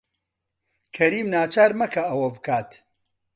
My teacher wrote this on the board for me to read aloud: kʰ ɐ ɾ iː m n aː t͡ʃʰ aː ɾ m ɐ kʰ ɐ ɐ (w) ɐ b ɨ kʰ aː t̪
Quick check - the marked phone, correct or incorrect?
correct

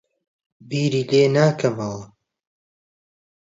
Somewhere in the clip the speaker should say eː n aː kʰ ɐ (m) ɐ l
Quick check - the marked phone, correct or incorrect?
correct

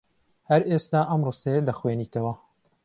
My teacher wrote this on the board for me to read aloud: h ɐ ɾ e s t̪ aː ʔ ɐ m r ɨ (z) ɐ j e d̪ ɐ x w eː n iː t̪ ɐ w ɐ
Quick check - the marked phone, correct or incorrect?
incorrect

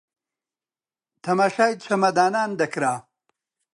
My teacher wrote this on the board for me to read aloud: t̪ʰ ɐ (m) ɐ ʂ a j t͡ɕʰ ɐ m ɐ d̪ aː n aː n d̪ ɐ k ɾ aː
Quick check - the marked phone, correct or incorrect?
correct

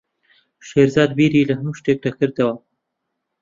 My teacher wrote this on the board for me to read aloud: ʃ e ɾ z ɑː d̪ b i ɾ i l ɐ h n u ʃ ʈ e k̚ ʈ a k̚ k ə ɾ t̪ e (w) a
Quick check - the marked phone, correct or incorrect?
correct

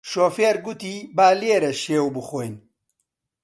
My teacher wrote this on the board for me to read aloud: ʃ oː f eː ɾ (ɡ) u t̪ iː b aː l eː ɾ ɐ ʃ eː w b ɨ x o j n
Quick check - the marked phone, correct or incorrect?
correct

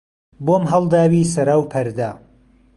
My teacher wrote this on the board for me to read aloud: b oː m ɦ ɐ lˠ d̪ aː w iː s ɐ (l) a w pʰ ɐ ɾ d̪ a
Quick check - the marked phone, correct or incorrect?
incorrect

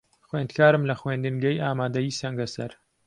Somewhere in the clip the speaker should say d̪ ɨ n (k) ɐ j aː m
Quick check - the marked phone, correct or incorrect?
incorrect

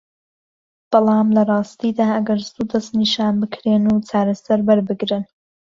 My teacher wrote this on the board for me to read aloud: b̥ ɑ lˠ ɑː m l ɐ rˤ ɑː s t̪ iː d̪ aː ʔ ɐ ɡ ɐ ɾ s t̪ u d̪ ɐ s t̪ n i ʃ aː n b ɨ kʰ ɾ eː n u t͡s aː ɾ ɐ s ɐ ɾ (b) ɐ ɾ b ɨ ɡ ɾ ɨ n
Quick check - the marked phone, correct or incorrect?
correct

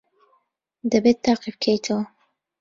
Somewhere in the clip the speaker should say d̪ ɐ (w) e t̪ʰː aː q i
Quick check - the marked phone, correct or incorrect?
incorrect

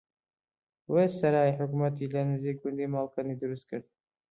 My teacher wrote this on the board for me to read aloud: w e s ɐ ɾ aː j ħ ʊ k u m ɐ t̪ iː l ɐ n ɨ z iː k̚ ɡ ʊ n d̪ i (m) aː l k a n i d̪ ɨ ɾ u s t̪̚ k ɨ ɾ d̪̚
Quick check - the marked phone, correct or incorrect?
correct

